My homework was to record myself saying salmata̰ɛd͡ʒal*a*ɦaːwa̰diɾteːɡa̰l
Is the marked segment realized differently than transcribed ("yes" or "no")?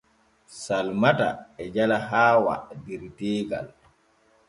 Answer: no